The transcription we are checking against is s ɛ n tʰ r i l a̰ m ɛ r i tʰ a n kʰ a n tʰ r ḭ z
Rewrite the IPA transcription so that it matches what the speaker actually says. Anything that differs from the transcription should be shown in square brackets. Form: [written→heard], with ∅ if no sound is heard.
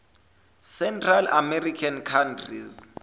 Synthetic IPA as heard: s ɛ n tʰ r [i→a] l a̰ m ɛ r i [tʰ→kʰ] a n kʰ a n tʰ r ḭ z